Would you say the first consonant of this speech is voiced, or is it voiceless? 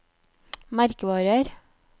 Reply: voiced